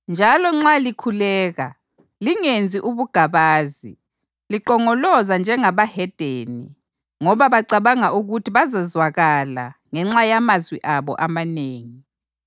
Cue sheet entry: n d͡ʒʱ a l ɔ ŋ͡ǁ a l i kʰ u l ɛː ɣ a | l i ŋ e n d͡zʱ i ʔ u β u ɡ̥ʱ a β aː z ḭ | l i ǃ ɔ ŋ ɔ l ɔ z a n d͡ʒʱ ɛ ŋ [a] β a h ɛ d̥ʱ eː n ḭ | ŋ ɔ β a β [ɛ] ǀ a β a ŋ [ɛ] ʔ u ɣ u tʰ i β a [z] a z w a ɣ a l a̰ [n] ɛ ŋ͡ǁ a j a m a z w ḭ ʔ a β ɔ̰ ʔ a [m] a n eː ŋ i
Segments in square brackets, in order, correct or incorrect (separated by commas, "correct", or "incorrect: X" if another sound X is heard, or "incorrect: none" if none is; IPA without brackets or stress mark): correct, incorrect: a, incorrect: a, correct, incorrect: ŋ, correct